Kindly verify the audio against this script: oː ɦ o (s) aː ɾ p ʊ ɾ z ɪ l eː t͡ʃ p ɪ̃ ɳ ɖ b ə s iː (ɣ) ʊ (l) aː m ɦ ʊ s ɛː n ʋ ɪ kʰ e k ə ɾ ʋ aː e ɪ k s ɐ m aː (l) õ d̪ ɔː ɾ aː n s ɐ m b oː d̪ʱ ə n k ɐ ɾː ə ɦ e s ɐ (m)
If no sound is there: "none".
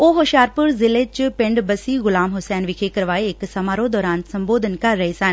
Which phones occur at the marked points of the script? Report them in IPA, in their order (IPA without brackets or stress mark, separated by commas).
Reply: ʃ, ɣ, l, ɾ, n